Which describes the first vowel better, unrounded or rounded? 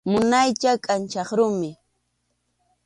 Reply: rounded